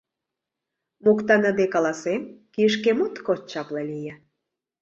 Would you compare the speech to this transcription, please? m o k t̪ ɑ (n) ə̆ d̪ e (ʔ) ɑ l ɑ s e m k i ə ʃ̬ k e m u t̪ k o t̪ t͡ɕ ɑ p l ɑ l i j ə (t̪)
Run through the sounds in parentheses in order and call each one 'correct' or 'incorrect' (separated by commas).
correct, incorrect, incorrect